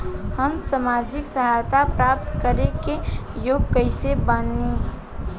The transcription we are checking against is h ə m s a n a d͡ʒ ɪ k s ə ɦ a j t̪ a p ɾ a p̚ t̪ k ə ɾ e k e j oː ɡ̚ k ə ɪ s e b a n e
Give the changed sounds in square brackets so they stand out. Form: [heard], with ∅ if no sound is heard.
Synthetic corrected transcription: h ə m s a [m] a d͡ʒ ɪ k s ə ɦ a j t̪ a p ɾ a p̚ t̪ k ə ɾ e k e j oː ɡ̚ k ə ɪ s e b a n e

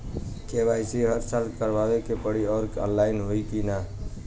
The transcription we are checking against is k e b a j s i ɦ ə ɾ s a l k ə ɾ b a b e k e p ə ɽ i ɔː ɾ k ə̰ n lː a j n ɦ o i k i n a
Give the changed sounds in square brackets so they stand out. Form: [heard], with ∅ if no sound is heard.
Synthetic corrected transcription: k e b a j s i ɦ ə ɾ s a l k ə ɾ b a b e k e p ə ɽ i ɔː ɾ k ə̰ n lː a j n ɦ o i k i n a

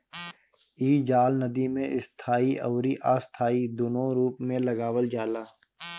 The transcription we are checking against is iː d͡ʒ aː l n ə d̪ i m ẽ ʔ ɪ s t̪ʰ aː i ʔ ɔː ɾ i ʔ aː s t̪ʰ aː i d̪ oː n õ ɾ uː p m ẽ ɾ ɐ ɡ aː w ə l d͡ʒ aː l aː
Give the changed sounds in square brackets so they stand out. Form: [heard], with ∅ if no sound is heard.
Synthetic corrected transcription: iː d͡ʒ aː l n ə d̪ i m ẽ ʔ ɪ s t̪ʰ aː i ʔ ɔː ɾ i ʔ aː s t̪ʰ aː i d̪ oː n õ ɾ uː p m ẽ [l] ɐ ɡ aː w ə l d͡ʒ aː l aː

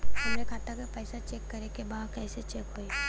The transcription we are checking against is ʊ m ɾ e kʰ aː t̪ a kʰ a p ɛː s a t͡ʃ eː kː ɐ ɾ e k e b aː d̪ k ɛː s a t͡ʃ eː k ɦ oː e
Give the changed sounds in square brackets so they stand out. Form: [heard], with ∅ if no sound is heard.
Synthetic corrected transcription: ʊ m ɾ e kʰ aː t̪ a [k] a p ɛː s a t͡ʃ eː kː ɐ ɾ e k e b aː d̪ k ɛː s [e] t͡ʃ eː k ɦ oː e

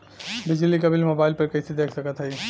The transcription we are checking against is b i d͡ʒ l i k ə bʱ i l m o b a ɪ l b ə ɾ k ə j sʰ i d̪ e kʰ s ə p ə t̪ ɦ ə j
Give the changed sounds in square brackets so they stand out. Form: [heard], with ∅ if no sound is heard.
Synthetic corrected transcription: b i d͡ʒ l i k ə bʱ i l m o b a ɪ l [p] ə ɾ k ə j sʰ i d̪ e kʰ s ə [k] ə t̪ ɦ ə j

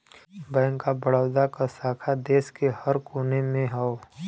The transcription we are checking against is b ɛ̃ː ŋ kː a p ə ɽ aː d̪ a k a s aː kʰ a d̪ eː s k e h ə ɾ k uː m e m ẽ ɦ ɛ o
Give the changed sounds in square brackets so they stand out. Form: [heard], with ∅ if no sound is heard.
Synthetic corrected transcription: b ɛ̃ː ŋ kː a [b] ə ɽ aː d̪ a k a s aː kʰ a d̪ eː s k e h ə ɾ k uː [n] e m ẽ ɦ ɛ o

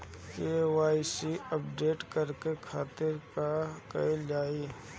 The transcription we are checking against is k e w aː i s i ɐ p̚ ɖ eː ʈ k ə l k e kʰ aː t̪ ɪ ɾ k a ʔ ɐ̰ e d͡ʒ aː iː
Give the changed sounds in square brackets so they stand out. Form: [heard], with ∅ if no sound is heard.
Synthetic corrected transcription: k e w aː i s i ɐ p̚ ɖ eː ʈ k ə [ɾ] k e kʰ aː t̪ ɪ ɾ k a [k] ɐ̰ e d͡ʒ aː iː

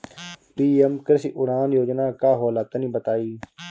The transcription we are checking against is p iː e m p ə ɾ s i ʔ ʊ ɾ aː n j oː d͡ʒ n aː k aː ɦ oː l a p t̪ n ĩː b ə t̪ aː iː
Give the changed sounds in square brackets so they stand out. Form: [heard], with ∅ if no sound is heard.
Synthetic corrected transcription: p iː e m [k] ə ɾ s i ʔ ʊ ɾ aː n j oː d͡ʒ n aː k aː ɦ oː l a [∅] t̪ n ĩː b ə t̪ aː iː

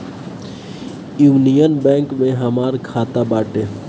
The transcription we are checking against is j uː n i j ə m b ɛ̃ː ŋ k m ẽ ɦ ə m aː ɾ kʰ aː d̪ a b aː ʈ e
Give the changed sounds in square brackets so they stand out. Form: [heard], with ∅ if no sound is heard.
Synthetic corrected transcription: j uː n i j ə [n] b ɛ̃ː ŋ k m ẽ ɦ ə m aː ɾ kʰ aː [t̪] a b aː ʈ e

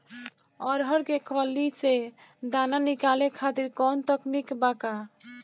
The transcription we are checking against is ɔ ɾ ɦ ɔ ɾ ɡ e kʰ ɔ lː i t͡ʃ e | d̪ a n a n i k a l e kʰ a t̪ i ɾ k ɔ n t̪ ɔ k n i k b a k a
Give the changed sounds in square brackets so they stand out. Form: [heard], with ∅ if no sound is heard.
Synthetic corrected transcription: ɔ ɾ ɦ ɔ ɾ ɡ e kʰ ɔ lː i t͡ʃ e | d̪ a n a n i k a l e kʰ a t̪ i ɾ k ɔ n t̪ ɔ k n i k b a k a

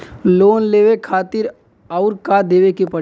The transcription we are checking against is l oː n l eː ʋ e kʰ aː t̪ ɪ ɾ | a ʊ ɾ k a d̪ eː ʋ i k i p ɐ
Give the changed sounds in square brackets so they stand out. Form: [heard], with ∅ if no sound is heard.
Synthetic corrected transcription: l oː n l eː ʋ e kʰ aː t̪ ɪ ɾ | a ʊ ɾ k a d̪ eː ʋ [e] k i p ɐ

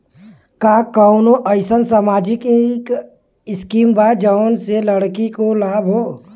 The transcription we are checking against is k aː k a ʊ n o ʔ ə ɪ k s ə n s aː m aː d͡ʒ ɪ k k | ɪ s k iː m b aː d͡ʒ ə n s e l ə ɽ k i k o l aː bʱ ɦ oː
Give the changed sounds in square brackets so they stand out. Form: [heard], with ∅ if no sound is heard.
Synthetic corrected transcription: k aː k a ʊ n o ʔ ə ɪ [∅] s ə n s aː m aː d͡ʒ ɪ k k | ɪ s k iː m b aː d͡ʒ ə n s e l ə ɽ k i k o l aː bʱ ɦ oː

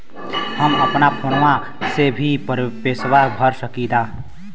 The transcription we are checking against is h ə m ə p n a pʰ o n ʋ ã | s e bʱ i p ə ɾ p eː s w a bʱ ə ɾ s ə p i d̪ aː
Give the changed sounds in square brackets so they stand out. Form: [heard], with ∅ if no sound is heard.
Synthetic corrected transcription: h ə m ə p n a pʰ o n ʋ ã | s e bʱ i p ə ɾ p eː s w a bʱ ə ɾ s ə [k] i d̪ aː

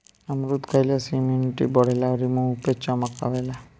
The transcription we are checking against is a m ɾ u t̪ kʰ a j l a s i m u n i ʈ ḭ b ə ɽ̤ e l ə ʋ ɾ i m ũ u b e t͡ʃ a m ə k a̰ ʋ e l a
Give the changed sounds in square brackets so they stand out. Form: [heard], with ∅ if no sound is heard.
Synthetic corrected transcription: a m ɾ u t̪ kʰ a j l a s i m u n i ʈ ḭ b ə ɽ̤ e l [a] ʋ ɾ i m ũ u [p] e t͡ʃ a m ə k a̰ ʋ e l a

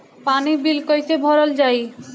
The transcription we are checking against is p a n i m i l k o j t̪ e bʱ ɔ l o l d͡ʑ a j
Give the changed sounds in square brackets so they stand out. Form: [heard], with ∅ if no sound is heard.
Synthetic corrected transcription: p a n i [b] i l k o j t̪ e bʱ ɔ [ɾ] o l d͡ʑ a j

